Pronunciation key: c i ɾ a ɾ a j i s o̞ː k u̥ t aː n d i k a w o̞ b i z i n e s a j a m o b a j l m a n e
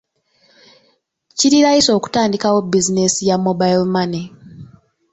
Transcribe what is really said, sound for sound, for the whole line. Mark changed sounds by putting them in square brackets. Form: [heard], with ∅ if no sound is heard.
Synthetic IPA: c i ɾ [i] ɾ a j i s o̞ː k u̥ t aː n d i k a w o̞ b i z i n e s [i] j a m o b a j l m a n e